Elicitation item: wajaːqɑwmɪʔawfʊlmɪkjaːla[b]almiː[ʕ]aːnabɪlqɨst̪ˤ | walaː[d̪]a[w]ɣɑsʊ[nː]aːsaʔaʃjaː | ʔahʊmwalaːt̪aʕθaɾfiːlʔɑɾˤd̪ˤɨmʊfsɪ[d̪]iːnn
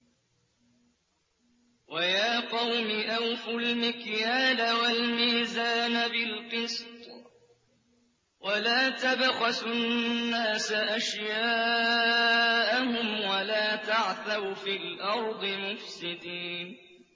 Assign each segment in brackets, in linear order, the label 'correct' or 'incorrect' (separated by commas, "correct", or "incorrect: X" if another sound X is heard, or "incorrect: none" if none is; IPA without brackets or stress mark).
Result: incorrect: w, incorrect: z, incorrect: t̪, incorrect: b, correct, correct